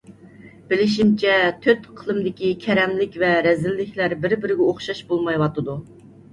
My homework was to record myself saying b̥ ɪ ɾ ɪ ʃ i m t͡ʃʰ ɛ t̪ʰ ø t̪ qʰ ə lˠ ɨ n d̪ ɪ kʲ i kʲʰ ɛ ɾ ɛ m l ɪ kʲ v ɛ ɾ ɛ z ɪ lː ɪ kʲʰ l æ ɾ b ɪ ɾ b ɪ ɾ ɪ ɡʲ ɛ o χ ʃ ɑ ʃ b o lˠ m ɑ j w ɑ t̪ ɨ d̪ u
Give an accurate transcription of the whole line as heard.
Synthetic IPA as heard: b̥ ɪ l ɪ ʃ i m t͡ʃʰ ɛ t̪ʰ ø t̪ qʰ ə lˠ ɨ m d̪ ɪ kʲ i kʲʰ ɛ ɾ ɛ m l ɪ kʲ v ɛ ɾ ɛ z ɪ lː ɪ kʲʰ l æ ɾ b ɪ ɾ b ɪ ɾ ɪ ɡʲ ɛ o χ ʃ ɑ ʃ b o lˠ m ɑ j w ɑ t̪ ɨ d̪ u